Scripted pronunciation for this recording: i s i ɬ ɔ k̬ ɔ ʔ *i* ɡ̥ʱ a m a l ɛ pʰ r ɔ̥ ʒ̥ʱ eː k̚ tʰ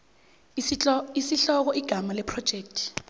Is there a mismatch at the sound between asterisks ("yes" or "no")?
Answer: no